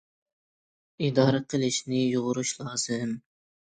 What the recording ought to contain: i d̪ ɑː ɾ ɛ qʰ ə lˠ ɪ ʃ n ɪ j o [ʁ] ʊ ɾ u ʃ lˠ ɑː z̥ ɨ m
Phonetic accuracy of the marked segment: correct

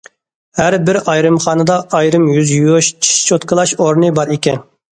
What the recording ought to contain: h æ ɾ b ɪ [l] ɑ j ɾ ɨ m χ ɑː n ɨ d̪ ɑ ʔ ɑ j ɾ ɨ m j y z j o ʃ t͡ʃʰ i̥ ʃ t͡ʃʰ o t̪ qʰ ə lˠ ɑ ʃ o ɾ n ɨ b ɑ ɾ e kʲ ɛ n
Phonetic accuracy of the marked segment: incorrect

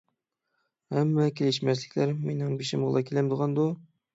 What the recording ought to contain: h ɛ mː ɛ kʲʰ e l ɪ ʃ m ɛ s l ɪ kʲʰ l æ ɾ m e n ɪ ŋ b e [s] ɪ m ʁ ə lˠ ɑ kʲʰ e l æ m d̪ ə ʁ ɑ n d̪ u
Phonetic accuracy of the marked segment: incorrect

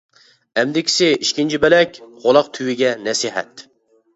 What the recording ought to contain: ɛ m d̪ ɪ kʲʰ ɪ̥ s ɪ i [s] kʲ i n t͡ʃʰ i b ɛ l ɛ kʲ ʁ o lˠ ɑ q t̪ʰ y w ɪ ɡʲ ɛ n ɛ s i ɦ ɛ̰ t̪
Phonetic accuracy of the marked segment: incorrect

